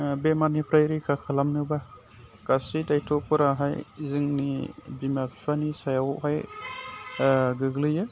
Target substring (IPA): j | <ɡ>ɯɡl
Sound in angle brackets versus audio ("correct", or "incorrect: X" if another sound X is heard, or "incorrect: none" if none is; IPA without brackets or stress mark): correct